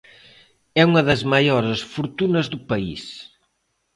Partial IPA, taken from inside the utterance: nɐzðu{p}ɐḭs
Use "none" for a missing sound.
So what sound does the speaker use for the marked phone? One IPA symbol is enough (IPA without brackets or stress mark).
p